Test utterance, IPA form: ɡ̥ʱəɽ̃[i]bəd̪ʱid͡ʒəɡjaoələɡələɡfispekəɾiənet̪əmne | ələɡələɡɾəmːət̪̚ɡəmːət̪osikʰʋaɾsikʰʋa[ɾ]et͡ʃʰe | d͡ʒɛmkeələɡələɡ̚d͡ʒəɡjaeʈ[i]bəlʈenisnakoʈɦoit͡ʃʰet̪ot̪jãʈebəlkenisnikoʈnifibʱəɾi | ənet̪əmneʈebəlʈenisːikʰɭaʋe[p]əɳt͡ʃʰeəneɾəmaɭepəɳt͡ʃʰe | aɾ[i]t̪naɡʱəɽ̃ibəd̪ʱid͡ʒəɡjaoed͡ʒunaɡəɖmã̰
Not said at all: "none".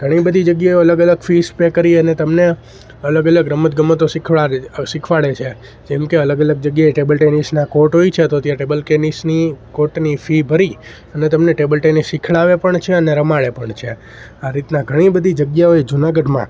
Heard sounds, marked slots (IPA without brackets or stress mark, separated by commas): i, ɭ, e, p, i